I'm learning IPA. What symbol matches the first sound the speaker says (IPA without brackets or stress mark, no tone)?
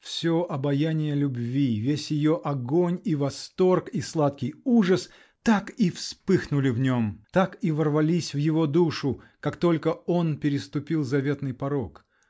f